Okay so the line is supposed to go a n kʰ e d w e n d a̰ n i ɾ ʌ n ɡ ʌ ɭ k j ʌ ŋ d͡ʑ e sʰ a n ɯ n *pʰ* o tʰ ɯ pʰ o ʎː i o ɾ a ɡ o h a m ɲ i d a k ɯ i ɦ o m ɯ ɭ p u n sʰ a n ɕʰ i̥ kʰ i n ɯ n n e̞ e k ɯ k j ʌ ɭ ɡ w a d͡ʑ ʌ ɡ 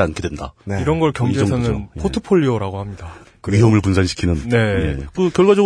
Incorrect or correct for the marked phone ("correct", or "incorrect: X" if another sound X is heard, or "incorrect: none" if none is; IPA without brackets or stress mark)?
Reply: correct